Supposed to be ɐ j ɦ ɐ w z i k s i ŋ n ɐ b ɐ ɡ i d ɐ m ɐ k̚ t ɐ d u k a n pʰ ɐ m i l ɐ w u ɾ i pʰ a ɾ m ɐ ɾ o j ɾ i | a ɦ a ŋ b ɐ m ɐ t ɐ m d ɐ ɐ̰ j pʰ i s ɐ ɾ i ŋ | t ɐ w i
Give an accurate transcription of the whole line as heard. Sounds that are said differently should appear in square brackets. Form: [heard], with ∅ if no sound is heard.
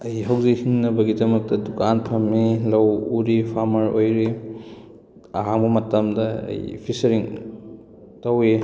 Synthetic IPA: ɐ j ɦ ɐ w z i k [h] i ŋ n ɐ b ɐ ɡ i d ɐ m ɐ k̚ t ɐ d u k a n pʰ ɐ m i l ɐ w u ɾ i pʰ a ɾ m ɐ ɾ o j ɾ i | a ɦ a ŋ b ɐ m ɐ t ɐ m d ɐ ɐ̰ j pʰ i s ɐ ɾ i ŋ | t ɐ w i